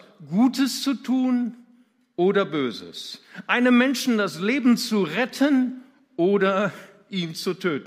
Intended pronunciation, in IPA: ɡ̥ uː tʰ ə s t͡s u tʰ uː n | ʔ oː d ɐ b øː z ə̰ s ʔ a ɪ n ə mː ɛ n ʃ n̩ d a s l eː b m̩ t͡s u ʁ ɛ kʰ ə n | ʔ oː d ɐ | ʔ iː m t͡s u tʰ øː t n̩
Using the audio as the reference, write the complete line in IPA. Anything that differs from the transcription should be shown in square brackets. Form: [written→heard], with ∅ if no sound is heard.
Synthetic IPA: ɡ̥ uː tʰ ə s t͡s u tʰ uː n | ʔ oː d ɐ b øː z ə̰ s ʔ a ɪ n ə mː ɛ n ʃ n̩ d a s l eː b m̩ t͡s u ʁ ɛ [kʰ→tʰ] ə n | ʔ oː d ɐ | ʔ iː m t͡s u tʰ øː t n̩